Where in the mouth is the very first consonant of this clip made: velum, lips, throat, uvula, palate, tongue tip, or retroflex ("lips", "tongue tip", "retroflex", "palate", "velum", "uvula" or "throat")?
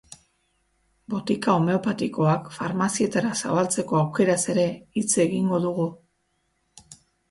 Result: lips